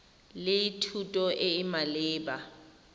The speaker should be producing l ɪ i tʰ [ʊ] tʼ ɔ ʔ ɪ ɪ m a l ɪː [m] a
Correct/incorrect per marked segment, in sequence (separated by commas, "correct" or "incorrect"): incorrect, incorrect